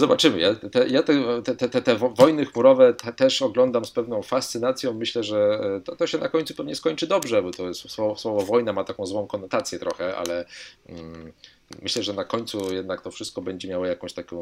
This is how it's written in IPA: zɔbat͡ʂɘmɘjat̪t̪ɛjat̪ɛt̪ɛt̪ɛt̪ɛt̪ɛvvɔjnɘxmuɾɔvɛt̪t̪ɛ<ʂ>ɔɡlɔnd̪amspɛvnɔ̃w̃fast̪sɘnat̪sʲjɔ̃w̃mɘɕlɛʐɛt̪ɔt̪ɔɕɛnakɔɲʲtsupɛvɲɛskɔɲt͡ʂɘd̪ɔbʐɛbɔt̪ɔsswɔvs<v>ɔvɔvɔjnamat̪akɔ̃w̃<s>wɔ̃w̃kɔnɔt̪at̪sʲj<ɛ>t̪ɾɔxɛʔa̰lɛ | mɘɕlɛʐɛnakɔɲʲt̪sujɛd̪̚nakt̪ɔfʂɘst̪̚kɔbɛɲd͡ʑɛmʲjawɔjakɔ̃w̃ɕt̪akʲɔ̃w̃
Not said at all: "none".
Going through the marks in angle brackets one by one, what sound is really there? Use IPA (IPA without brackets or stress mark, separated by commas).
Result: ʂ, w, z, ɛ